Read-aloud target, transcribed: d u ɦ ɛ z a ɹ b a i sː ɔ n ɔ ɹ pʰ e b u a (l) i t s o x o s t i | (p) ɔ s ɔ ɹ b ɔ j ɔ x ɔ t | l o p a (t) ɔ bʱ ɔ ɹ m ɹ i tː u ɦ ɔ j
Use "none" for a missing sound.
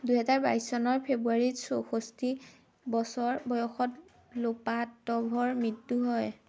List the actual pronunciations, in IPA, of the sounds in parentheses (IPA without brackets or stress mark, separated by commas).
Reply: ɹ, b, t